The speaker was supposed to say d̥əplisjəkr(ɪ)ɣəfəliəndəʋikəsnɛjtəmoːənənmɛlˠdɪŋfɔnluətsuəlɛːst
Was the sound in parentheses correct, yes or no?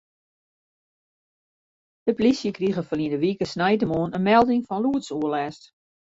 no